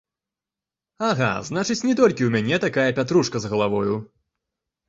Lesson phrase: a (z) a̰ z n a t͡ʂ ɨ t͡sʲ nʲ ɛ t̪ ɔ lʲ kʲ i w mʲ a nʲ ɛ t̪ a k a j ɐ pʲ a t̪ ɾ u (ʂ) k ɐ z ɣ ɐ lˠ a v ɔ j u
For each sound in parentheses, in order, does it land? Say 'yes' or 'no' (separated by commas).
no, yes